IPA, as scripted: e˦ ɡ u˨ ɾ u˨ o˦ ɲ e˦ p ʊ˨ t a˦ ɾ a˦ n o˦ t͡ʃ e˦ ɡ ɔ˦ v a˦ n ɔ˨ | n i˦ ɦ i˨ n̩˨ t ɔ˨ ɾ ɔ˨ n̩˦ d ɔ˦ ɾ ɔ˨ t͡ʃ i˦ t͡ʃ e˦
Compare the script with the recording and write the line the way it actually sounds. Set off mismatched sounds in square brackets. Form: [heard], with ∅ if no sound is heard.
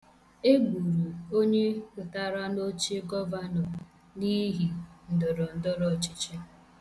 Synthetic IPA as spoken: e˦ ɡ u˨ ɾ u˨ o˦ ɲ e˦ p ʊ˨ t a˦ ɾ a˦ n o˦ t͡ʃ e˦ ɡ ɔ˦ v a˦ n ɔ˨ | n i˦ ɦ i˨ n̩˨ [d] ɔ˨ ɾ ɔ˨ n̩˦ d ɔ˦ ɾ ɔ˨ t͡ʃ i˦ t͡ʃ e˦